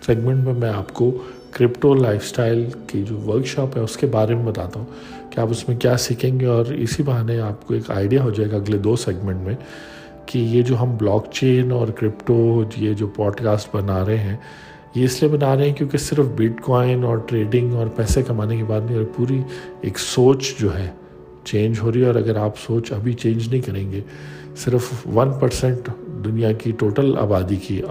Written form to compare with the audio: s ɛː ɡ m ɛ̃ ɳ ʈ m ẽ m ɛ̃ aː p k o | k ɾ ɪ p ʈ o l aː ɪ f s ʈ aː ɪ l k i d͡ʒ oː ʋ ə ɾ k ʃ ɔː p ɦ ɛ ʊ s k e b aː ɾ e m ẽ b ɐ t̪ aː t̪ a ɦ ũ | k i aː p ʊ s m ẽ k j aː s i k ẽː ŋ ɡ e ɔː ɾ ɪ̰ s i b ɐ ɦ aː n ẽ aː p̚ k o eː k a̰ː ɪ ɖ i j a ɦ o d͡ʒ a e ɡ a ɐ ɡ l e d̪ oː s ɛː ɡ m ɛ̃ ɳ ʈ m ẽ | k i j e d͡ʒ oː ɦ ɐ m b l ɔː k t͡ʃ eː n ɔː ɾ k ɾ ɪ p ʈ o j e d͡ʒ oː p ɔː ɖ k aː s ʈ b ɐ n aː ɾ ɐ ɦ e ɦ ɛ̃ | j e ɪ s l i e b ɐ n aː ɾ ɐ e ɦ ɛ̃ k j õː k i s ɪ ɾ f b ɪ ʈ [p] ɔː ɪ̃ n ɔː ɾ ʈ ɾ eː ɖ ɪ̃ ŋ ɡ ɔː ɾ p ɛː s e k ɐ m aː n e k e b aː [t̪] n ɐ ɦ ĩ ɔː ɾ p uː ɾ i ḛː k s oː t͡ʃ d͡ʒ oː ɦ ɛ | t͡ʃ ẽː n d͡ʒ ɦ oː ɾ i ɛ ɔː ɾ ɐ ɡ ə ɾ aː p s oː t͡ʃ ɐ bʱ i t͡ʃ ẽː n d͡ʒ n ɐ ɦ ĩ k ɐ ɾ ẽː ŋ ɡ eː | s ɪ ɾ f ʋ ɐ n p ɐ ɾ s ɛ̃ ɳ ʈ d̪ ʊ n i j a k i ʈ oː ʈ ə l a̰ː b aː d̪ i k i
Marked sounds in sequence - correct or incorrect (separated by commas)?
incorrect, incorrect